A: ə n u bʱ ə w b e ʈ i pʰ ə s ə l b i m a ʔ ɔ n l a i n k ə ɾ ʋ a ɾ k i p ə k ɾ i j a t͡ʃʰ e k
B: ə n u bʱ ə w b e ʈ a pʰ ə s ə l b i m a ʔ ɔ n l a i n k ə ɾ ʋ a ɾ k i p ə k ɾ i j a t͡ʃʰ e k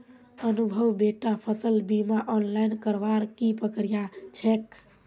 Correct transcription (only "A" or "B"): B